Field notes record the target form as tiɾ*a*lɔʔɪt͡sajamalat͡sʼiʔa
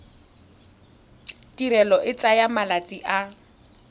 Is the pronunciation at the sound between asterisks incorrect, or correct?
incorrect